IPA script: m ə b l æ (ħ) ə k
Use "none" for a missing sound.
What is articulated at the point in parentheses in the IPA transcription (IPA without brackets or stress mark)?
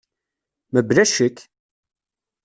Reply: ʃ